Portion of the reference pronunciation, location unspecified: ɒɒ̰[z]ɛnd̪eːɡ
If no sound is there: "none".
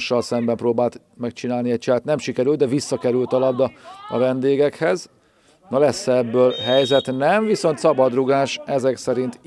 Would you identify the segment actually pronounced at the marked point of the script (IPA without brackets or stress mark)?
v